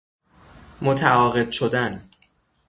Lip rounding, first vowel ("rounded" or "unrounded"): rounded